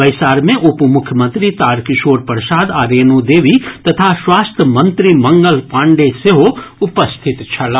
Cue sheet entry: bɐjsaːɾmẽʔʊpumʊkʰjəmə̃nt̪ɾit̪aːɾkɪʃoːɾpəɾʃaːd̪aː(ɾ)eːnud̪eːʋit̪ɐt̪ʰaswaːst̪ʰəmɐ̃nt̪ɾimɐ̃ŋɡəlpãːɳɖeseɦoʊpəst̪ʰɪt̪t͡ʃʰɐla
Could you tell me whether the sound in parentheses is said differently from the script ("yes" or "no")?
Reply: no